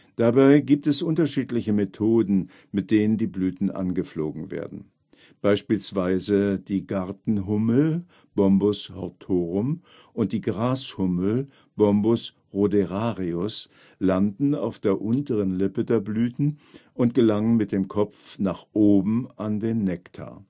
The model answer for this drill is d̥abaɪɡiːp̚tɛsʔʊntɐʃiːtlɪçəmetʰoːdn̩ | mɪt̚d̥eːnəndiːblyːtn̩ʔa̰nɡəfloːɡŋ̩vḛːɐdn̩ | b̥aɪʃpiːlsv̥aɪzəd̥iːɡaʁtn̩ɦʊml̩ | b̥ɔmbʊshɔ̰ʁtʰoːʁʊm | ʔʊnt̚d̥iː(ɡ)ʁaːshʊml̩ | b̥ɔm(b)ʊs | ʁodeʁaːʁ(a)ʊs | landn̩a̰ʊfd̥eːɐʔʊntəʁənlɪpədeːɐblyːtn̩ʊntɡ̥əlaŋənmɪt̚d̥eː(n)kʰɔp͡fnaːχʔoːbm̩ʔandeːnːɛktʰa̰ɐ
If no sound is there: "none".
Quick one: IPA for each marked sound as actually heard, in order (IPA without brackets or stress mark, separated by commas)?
ɡ, b, i, m